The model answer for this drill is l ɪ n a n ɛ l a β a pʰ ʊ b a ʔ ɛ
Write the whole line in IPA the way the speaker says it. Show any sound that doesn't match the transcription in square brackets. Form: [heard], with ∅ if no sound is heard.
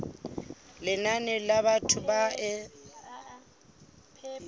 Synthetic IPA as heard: l ɪ n a n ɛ l a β a [tʰ] ʊ b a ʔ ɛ

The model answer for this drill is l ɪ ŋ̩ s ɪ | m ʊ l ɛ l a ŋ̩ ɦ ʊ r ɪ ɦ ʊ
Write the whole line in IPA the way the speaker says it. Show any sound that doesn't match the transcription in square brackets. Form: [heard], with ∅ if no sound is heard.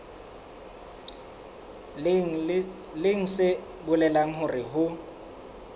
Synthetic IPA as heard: l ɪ ŋ̩ s ɪ | [b] ʊ l ɛ l a ŋ̩ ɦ ʊ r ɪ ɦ ʊ

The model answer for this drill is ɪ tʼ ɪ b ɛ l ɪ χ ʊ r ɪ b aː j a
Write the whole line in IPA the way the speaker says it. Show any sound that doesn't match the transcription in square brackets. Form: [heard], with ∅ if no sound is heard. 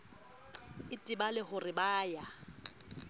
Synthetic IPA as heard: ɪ tʼ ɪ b [a] l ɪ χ ʊ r ɪ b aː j a

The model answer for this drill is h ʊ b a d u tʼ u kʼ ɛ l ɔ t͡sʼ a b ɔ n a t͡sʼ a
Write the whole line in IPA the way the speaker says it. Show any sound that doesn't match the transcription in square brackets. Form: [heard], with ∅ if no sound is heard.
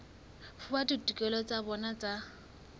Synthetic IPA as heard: [f] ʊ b a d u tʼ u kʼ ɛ l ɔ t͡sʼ a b ɔ n a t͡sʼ a

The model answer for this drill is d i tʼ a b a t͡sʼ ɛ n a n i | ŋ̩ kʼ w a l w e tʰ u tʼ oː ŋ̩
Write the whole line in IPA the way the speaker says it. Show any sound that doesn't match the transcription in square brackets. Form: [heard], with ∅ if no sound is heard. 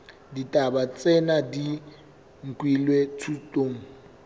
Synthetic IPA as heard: d i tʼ a b a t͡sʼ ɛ n a [d] i | ŋ̩ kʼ w [i] l w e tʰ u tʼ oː ŋ̩

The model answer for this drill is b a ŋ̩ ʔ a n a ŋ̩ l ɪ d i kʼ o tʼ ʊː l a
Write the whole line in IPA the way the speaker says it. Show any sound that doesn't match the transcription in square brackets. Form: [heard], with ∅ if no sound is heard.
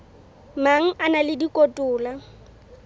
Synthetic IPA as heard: [m] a ŋ̩ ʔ a n a [∅] l ɪ d i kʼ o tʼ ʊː l a

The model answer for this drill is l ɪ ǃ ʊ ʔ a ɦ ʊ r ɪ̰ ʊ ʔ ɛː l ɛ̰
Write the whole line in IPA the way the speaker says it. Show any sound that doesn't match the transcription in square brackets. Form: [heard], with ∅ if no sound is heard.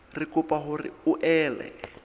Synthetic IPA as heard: [r] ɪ [k] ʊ [p] a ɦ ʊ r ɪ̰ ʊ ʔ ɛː l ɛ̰

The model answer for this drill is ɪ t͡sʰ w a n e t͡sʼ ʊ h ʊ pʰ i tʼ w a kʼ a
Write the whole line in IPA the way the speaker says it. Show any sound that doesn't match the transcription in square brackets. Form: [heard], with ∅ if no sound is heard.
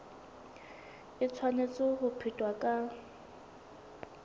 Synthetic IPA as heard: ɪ t͡sʰ w a n e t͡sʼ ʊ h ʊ pʰ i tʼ w a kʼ a

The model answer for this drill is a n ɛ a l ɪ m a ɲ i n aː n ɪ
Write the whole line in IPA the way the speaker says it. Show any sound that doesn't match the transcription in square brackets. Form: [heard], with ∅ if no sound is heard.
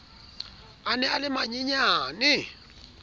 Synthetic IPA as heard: a n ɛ a l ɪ m a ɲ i [ɲ] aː n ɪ

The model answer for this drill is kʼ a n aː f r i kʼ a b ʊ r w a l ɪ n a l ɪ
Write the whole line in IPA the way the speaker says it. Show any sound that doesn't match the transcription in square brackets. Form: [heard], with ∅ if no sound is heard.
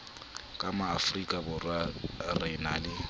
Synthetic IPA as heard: kʼ a [m] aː f r i kʼ a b ʊ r w a [r] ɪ n a l ɪ

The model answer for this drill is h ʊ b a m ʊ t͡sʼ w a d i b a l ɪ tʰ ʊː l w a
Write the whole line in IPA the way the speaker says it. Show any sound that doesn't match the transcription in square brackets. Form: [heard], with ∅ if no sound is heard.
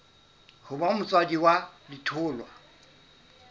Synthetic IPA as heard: h ʊ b a m ʊ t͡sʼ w a d i [w] a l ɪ tʰ ʊː l w a

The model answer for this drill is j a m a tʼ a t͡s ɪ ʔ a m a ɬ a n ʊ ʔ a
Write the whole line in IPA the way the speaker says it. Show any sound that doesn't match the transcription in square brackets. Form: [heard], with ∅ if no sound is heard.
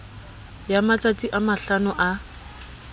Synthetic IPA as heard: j a m a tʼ a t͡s [i] ʔ a m a ɬ a n ʊ ʔ a

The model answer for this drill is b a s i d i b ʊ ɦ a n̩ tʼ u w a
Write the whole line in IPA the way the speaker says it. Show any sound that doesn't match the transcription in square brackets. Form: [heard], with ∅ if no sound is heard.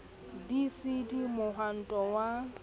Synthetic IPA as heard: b [i] s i d i [m] ʊ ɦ a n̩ tʼ [ɔ] w a

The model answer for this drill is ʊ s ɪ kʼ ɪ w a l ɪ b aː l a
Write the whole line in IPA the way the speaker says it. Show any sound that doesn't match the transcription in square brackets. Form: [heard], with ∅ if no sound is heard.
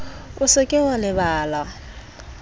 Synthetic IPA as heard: ʊ s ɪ kʼ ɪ w a l ɪ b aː l a

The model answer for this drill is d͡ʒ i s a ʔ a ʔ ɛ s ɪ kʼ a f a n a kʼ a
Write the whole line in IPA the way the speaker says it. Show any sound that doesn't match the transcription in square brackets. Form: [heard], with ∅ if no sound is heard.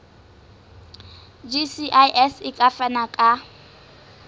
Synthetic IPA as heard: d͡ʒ i s [i] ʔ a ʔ ɛ s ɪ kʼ a f a n a kʼ a

